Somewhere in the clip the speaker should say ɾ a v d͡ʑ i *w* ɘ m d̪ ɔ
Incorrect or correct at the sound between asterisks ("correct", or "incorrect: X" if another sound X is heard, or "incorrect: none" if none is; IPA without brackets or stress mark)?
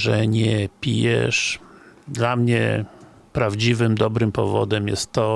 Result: incorrect: v